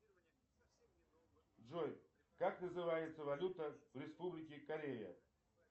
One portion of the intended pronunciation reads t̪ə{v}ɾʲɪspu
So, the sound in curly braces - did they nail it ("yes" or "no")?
yes